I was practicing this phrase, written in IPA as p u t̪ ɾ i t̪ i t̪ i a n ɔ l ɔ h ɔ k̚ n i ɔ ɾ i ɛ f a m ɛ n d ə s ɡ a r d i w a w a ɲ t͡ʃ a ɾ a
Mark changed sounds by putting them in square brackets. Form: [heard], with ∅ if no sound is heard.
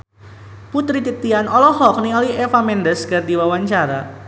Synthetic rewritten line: p u t̪ ɾ i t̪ i t̪ i a n ɔ l ɔ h ɔ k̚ n i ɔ [l] i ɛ f a m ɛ n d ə s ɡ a r d i w a w a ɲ t͡ʃ a ɾ a